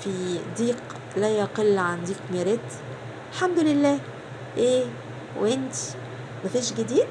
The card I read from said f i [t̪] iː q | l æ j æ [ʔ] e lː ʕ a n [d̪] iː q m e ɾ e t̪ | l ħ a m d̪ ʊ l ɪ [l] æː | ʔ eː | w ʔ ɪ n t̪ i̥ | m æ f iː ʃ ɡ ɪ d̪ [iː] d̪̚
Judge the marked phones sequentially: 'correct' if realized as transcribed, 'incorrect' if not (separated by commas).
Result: incorrect, incorrect, correct, incorrect, correct